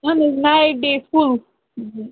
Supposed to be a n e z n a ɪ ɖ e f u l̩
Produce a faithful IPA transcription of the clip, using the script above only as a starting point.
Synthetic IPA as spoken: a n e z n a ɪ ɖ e f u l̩